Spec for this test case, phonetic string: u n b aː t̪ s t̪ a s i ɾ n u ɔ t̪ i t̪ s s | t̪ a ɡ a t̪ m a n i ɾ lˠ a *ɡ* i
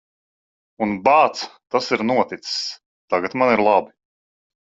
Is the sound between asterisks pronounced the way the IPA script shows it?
no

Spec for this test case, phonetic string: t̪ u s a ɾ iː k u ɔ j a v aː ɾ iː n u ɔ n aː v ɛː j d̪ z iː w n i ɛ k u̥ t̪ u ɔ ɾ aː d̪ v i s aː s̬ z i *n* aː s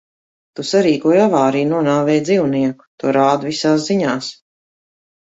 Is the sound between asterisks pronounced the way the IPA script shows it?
no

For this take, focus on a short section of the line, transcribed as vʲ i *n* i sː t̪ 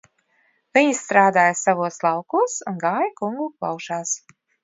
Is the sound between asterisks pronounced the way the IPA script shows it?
no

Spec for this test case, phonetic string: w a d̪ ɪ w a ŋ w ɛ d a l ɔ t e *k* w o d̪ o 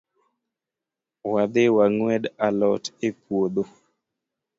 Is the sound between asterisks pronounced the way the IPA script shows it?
no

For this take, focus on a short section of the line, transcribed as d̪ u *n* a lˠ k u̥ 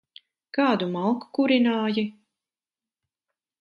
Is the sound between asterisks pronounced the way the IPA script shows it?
no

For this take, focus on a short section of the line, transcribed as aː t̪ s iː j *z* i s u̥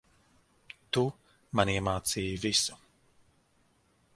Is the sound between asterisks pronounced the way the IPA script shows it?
no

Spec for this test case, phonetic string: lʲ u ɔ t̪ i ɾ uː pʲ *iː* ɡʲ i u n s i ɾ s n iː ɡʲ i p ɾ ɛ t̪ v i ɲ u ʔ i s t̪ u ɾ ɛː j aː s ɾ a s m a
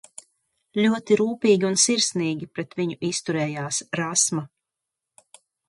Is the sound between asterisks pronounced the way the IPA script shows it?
yes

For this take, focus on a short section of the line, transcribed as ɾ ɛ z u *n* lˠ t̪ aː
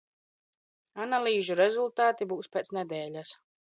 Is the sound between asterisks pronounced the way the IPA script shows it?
no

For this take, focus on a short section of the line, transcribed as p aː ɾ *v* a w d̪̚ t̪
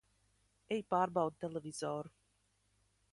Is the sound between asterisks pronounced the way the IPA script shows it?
no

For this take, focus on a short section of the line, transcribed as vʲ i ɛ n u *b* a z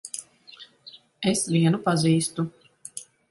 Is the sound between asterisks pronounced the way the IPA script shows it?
no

